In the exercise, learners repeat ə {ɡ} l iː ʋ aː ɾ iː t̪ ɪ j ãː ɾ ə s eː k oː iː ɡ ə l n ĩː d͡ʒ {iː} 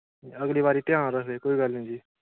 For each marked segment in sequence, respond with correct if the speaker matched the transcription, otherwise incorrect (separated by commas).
correct, correct